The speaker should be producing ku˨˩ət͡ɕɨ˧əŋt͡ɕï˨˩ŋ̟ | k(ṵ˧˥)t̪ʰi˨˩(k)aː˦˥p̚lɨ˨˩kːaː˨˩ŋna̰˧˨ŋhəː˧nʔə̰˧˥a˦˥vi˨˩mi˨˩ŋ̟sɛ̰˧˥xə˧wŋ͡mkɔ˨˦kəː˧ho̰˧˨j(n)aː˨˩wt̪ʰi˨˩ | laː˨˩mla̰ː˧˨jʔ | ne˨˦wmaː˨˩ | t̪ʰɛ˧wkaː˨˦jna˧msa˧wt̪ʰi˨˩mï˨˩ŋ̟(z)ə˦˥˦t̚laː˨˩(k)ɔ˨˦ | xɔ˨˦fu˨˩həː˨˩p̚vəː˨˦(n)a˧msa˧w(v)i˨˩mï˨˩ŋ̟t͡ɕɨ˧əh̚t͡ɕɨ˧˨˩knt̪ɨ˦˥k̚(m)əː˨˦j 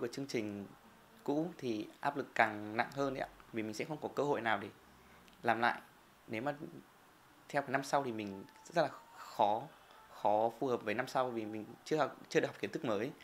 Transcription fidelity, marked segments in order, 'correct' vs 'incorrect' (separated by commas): correct, incorrect, correct, correct, incorrect, correct, correct, correct